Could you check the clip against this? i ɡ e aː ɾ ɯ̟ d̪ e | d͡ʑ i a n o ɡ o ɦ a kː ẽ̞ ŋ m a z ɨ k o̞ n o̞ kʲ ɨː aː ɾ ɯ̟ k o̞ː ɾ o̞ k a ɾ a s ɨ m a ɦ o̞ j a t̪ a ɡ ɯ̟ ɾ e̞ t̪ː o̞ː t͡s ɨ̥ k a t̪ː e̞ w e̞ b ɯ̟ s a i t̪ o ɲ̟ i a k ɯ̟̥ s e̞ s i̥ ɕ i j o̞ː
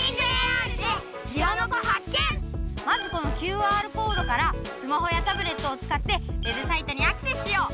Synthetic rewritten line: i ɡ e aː ɾ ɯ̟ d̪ e | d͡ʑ i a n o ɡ o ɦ a kː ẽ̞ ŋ m a z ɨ k o̞ n o̞ kʲ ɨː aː ɾ ɯ̟ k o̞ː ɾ o̞ k a ɾ a s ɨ m a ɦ o̞ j a t̪ a b ɯ̟ ɾ e̞ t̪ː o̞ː t͡s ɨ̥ k a t̪ː e̞ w e̞ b ɯ̟ s a i t̪ o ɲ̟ i a k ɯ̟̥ s e̞ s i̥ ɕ i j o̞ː